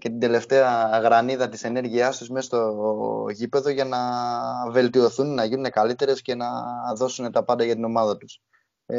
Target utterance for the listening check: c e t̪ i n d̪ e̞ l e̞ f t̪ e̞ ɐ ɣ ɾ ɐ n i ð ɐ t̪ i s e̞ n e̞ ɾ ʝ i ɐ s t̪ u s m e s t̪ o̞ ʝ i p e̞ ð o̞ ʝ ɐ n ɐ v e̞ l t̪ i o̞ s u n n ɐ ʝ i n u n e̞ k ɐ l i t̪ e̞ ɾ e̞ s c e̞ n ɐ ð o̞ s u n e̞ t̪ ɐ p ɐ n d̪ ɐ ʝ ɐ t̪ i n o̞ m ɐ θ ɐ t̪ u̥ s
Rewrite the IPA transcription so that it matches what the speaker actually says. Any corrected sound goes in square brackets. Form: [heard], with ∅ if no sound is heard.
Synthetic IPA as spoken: c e t̪ i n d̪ e̞ l e̞ f t̪ e̞ ɐ ɣ ɾ ɐ n i ð ɐ t̪ i s e̞ n e̞ ɾ ʝ i ɐ s t̪ u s m e s t̪ o̞ ʝ i p e̞ ð o̞ ʝ ɐ n ɐ v e̞ l t̪ i o̞ [θ] u n n ɐ ʝ i n u n e̞ k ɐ l i t̪ e̞ ɾ e̞ s c e̞ n ɐ ð o̞ s u n e̞ t̪ ɐ p ɐ n d̪ ɐ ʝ ɐ t̪ i n o̞ m ɐ [ð] ɐ t̪ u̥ s